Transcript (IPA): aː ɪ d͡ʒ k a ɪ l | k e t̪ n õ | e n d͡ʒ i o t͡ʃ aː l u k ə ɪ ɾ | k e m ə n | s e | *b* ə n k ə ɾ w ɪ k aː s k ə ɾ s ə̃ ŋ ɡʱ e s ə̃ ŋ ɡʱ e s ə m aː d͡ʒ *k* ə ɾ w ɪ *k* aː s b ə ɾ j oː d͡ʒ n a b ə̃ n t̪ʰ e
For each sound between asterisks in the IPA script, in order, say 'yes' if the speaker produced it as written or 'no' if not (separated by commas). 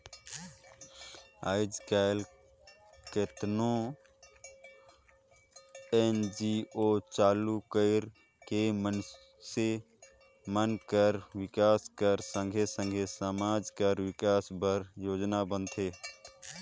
no, yes, yes